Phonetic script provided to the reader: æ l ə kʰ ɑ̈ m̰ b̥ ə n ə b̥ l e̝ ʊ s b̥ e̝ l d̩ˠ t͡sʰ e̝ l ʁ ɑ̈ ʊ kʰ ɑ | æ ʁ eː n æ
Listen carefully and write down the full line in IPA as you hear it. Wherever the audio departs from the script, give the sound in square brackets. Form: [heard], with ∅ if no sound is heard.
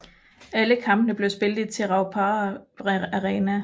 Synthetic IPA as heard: æ l ə kʰ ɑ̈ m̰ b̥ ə n ə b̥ l e̝ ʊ s b̥ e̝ l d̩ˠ t͡sʰ e̝ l ʁ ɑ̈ ʊ [pʰ] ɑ | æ ʁ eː n æ

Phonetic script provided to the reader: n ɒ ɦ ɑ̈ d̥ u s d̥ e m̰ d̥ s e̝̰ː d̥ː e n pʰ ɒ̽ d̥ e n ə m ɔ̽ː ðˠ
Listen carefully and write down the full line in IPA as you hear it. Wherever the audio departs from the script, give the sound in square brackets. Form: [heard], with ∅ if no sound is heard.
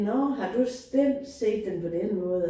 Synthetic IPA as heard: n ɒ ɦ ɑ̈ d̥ u s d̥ e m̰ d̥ s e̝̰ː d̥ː e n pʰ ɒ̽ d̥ e n ə m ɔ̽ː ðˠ

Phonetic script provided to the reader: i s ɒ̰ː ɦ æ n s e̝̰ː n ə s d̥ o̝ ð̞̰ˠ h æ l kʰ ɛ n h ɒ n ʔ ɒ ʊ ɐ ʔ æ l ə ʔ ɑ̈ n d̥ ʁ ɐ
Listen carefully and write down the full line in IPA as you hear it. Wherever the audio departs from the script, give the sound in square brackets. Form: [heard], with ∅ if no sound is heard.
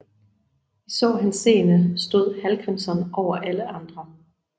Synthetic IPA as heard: i s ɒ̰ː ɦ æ n s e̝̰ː n ə s d̥ o̝ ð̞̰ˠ h æ l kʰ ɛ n [s] ɒ n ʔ ɒ ʊ ɐ ʔ æ l ə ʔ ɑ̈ n d̥ ʁ ɐ

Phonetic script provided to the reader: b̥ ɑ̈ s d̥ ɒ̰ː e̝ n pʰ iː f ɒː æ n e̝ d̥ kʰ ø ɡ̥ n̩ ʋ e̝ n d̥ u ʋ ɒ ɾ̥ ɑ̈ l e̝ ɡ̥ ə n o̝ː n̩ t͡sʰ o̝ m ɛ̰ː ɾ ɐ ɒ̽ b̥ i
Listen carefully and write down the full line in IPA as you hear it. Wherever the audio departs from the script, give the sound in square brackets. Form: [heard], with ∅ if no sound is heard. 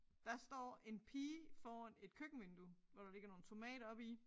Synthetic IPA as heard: [d̥] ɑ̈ s d̥ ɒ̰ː e̝ n pʰ iː f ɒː æ n e̝ d̥ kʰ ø ɡ̥ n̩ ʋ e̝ n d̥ u ʋ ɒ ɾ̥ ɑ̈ l e̝ ɡ̥ [ɐ] n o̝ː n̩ t͡sʰ o̝ m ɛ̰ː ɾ ɐ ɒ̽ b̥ i

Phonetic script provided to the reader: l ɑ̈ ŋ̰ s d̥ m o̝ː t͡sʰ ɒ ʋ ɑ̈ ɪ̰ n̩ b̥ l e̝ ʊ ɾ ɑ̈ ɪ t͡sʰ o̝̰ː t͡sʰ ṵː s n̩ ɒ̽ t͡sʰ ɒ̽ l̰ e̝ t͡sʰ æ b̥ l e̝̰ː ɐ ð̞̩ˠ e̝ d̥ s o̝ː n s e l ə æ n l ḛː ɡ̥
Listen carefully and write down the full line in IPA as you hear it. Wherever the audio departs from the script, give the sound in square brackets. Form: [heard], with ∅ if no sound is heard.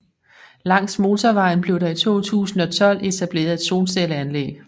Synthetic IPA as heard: l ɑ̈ ŋ̰ s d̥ m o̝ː t͡sʰ ɒ ʋ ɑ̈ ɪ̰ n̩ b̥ l e̝ ʊ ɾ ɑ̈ [i] t͡sʰ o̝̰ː t͡sʰ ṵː s n̩ ɒ̽ t͡sʰ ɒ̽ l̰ e̝ t͡sʰ æ b̥ l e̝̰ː ɐ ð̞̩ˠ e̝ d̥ s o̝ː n s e l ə æ n l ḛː ɡ̥

